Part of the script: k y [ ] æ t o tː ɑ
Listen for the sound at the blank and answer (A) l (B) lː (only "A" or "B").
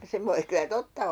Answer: A